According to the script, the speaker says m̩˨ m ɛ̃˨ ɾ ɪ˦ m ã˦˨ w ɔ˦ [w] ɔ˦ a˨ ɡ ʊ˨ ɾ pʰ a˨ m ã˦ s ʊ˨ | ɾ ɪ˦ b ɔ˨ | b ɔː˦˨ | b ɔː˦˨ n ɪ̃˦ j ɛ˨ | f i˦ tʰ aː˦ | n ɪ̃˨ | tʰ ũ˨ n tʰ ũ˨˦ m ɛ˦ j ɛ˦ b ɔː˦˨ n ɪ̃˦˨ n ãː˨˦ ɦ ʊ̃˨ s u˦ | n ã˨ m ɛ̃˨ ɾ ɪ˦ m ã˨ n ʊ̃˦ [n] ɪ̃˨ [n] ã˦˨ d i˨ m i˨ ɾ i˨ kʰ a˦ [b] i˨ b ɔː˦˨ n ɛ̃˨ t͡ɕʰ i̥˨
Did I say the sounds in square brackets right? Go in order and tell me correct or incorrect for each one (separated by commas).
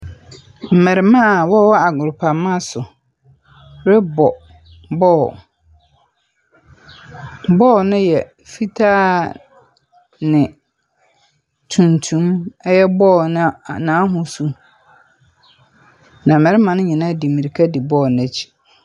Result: correct, incorrect, correct, incorrect